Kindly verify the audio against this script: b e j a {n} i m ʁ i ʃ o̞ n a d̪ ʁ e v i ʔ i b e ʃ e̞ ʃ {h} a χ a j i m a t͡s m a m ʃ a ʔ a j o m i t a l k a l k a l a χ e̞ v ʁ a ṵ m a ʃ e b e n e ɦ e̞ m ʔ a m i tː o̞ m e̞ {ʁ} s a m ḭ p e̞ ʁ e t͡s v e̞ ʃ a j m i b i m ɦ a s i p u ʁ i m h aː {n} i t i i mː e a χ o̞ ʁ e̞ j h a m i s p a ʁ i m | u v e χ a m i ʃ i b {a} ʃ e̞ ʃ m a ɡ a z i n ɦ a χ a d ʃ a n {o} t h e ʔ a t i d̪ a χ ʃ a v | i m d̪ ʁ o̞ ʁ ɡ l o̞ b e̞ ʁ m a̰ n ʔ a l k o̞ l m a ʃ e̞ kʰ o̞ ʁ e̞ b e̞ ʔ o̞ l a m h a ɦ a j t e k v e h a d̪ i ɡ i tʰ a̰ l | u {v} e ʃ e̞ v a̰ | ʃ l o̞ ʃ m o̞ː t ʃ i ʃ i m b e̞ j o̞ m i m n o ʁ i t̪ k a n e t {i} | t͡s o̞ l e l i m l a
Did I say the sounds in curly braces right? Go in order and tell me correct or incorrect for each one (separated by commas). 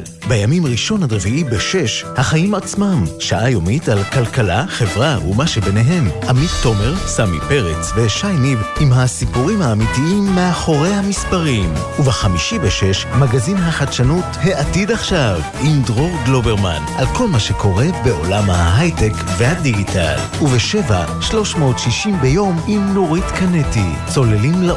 incorrect, correct, correct, incorrect, incorrect, incorrect, correct, correct